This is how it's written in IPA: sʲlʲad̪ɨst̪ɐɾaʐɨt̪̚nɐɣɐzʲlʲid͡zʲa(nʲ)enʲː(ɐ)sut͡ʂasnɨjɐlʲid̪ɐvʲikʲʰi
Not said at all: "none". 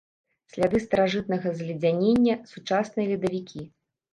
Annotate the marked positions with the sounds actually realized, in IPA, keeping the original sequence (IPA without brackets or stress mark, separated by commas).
nʲ, ɐ